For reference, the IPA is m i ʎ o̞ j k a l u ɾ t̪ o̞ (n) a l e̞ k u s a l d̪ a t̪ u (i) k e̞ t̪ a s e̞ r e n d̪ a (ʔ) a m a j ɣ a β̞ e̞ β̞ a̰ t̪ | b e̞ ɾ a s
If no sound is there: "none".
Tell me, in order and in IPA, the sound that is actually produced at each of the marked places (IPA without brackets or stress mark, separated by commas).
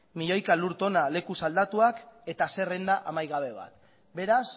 n, a, ʔ